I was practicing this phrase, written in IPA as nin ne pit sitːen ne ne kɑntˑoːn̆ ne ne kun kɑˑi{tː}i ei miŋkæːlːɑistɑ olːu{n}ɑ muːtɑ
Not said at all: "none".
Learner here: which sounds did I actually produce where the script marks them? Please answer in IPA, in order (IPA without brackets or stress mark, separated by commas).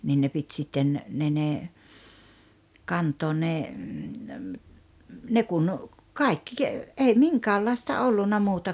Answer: kː, nː